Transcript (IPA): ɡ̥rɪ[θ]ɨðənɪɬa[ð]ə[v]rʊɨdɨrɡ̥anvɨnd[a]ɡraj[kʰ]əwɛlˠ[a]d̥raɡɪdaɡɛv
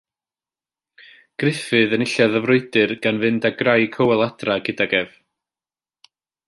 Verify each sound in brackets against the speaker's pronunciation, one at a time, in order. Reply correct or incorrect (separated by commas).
incorrect, correct, correct, correct, correct, correct